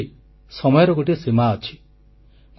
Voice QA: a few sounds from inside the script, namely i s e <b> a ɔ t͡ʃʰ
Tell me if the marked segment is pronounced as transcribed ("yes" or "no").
no